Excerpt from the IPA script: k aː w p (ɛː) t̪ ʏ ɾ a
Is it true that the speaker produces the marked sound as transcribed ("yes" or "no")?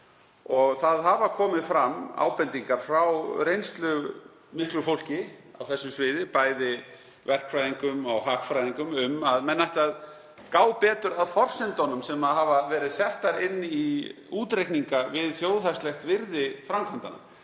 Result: yes